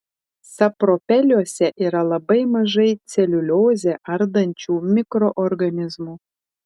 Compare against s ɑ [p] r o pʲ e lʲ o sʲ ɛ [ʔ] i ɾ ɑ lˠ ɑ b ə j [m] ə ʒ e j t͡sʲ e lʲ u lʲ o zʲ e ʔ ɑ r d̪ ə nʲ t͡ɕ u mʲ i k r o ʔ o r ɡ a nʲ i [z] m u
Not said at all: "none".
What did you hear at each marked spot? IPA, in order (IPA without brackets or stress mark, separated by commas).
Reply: p, ʔ, m, z